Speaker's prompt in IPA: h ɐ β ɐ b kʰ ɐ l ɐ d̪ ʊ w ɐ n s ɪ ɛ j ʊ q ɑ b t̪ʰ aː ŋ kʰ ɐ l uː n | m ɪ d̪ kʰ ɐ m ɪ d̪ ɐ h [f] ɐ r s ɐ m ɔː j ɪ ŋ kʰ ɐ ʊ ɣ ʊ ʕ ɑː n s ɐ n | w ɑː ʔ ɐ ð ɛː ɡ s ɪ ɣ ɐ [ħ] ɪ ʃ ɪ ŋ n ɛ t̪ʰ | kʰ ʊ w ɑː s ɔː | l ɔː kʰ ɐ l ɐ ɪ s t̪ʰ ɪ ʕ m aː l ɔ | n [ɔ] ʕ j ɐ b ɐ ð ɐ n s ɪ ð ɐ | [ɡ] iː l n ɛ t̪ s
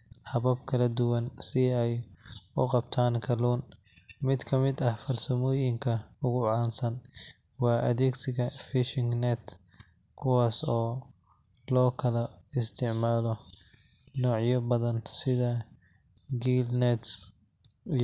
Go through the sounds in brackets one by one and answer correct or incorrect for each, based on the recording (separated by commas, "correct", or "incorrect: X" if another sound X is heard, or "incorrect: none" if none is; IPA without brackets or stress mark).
correct, incorrect: f, incorrect: ɔː, correct